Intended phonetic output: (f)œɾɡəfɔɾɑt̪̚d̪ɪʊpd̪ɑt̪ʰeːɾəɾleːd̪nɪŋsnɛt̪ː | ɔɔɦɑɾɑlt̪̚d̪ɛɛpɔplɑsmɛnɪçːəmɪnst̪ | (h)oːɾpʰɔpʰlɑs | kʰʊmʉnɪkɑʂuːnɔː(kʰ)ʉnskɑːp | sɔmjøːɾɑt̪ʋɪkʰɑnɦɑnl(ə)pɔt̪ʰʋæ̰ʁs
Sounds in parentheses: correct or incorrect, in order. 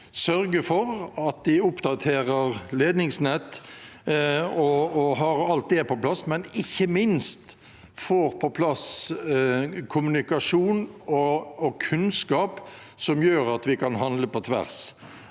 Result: incorrect, incorrect, correct, correct

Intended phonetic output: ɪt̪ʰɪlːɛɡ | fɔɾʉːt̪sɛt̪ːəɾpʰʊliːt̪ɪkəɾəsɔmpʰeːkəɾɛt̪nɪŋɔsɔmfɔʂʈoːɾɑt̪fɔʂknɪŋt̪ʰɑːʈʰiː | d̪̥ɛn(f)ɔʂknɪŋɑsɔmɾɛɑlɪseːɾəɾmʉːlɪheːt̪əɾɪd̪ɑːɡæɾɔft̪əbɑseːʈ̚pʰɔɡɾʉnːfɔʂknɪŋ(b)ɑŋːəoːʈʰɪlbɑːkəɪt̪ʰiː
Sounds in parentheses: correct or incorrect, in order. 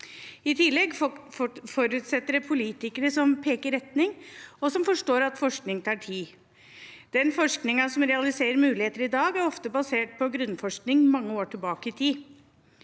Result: correct, incorrect

